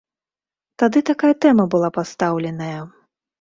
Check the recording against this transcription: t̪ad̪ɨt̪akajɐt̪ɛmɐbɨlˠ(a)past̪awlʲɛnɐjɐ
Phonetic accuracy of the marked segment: correct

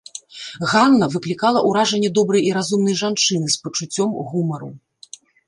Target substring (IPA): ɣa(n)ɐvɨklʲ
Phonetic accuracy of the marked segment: incorrect: nː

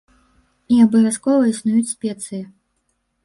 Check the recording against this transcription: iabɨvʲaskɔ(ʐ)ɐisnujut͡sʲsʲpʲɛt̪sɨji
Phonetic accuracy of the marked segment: incorrect: v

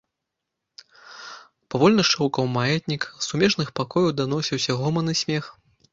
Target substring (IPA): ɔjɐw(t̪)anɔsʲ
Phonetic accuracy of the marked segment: incorrect: d̪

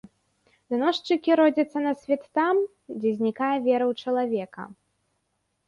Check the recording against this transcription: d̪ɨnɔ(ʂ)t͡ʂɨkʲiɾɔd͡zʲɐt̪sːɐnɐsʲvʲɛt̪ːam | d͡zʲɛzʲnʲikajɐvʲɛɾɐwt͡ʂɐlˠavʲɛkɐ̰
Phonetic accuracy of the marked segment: correct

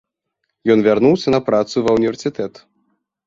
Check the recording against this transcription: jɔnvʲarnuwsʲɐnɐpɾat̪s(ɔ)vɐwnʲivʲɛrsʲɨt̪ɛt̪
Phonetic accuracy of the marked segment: incorrect: u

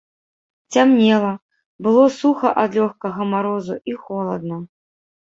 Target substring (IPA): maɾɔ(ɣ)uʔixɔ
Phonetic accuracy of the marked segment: incorrect: z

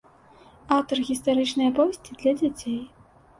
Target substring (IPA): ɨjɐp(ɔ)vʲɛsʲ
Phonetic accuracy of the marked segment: correct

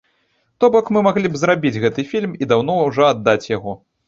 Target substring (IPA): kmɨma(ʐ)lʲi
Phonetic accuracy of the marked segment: incorrect: ɣ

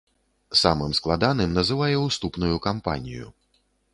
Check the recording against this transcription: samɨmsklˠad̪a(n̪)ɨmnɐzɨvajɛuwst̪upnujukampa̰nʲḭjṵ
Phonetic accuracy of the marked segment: correct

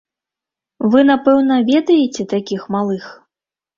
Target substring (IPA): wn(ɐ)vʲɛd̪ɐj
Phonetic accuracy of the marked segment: correct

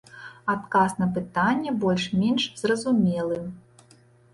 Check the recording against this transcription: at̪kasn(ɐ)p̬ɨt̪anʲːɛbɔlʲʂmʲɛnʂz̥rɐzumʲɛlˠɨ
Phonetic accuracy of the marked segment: correct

